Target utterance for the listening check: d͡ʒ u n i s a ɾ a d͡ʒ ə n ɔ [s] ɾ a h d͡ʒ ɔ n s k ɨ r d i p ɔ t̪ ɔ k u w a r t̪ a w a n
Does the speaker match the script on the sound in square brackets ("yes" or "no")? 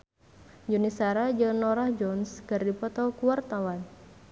no